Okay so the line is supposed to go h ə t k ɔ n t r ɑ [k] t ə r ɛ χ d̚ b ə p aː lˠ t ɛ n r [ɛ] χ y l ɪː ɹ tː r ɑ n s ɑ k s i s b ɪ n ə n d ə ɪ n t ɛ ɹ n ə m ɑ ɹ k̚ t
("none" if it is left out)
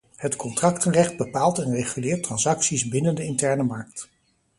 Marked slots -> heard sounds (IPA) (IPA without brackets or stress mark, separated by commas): k, e